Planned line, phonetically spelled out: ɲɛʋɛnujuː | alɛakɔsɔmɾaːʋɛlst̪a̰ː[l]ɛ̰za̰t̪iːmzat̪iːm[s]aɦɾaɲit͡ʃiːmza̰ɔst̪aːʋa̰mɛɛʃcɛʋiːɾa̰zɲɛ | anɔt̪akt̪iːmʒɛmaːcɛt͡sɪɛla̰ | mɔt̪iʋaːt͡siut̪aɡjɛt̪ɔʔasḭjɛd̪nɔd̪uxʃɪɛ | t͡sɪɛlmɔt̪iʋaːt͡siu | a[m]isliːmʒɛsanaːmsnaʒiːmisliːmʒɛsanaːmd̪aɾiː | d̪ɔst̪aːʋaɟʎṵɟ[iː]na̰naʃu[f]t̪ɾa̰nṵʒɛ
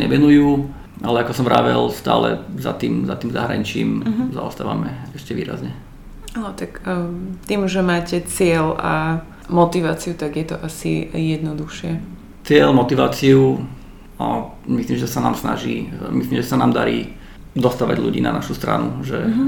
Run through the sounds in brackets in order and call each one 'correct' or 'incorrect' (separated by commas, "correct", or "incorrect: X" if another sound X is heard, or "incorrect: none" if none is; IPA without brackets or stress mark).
correct, incorrect: z, correct, correct, incorrect: s